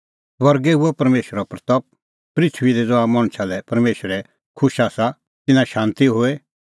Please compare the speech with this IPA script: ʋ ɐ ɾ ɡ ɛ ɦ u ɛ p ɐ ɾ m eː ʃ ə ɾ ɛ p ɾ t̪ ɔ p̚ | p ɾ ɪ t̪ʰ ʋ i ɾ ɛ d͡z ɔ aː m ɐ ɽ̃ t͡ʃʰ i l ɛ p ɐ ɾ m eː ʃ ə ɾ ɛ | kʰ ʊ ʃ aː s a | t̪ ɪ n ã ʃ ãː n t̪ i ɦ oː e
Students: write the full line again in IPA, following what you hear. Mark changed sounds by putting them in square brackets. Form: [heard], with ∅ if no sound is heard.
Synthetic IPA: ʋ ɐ ɾ ɡ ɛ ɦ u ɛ p ɐ ɾ m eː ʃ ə ɾ [a] p ɾ t̪ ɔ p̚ | p ɾ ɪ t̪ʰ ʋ i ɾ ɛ d͡z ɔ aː m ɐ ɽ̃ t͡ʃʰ [a] l ɛ p ɐ ɾ m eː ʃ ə ɾ ɛ | kʰ ʊ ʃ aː s a | t̪ ɪ n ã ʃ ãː n t̪ i ɦ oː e